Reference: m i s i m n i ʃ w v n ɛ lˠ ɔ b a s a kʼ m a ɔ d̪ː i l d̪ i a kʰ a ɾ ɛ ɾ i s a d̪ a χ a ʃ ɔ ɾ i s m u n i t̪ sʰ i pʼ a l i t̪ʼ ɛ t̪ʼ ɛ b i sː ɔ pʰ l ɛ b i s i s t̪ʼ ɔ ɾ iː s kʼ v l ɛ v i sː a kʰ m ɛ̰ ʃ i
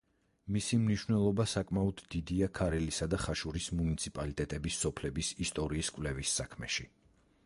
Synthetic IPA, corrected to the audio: m i s i m n i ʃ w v n ɛ lˠ ɔ b a s a kʼ m a ɔ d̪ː i d̪ i a kʰ a ɾ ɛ l i s a d̪ a χ a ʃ u ɾ i s m u n i t̪ sʰ i pʼ a l i t̪ʼ ɛ t̪ʼ ɛ b i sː ɔ pʰ l ɛ b i s i s t̪ʼ ɔ ɾ iː s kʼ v l ɛ v i sː a kʰ m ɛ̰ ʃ i